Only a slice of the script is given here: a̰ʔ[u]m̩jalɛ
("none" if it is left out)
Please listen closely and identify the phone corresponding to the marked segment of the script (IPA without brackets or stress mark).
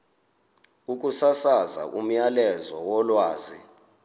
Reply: u